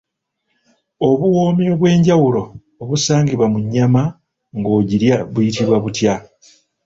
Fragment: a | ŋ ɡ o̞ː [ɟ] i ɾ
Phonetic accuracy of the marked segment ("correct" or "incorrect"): correct